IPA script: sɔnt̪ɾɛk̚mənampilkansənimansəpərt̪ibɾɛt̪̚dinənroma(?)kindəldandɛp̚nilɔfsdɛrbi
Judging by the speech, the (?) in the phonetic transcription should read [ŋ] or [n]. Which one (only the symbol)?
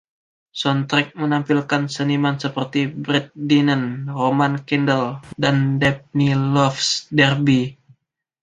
n